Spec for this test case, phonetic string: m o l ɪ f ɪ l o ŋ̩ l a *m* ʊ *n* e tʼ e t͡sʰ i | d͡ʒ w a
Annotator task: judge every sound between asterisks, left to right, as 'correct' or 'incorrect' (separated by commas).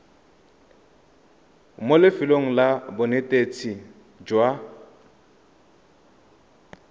incorrect, correct